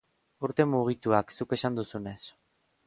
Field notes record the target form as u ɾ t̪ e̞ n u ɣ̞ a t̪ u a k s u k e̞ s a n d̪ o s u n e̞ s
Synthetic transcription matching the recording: u ɾ t̪ e̞ m u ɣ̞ i t̪ u a k s u k e̞ s a n d̪ u s u n e̞ s

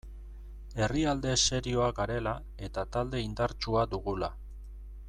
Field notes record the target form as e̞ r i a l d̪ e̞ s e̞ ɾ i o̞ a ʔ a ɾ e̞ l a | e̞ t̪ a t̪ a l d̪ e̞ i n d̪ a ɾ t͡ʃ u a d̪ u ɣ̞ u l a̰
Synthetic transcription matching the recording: e̞ r i a l d̪ e̞ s e̞ ɾ i o̞ a k a ɾ e̞ l a | e̞ t̪ a t̪ a l d̪ e̞ i n d̪ a ɾ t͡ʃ u a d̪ u ɣ̞ u l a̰

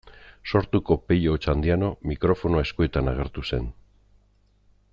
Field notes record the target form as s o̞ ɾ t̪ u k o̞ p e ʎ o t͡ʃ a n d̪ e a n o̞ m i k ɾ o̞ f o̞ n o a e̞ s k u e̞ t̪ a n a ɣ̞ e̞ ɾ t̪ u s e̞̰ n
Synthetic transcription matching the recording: s o̞ ɾ t̪ u k o̞ p e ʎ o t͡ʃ a n d̪ i a n o̞ m i k ɾ o̞ f o̞ n o a e̞ s k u e̞ t̪ a n a ɣ̞ e̞ ɾ t̪ u s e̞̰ n

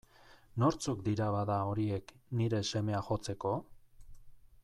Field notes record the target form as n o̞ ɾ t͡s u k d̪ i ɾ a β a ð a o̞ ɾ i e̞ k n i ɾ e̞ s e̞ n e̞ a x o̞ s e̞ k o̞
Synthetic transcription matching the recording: n o̞ ɾ t͡s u k d̪ i ɾ a β a ð a o̞ ɾ i e̞ k n i ɾ e̞ s e̞ m e̞ a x o̞ t͡s e̞ k o̞

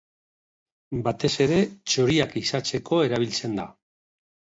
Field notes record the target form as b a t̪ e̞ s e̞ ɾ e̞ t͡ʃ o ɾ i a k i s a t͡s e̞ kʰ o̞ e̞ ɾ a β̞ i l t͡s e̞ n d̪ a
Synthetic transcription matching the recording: b a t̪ e̞ s e̞ ɾ e̞ t͡ʃ o ɾ i a k i s a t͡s e̞ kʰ o̞ e̞ ɾ a β̞ i l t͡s e̞ n d̪ a

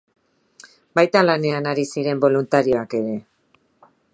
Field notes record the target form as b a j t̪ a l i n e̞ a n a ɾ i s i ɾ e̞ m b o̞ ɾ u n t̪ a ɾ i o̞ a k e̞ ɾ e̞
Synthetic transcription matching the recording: b a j t̪ a l a n e̞ a n a ɾ i s i ɾ e̞ m b o̞ l u n t̪ a ɾ i o̞ a k e̞ ɾ e̞

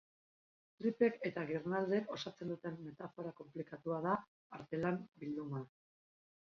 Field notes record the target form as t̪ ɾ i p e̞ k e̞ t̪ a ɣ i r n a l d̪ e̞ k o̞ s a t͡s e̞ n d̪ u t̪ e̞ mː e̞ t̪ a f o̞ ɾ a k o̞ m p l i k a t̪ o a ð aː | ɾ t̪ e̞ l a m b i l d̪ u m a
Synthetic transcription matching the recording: t̪ ɾ i p e̞ k e̞ t̪ a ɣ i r n a l d̪ e̞ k o̞ s a t͡s e̞ n d̪ u t̪ e̞ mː e̞ t̪ a f o̞ ɾ a k o̞ m p l i k a t̪ u a ð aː | ɾ t̪ e̞ l a m b i l d̪ u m a

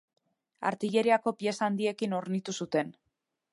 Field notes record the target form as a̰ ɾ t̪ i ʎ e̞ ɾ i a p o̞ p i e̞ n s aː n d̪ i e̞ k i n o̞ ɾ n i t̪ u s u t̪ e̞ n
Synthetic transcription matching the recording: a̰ ɾ t̪ i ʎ e̞ ɾ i a k o̞ p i e̞ s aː n d̪ i e̞ k i n o̞ ɾ n i t̪ u s u t̪ e̞ n

